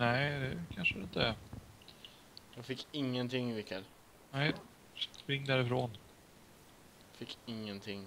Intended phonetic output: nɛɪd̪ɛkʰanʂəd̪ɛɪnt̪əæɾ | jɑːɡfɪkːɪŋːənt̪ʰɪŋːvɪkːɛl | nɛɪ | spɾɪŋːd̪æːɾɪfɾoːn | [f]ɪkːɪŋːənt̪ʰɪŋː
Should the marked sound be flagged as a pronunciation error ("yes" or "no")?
no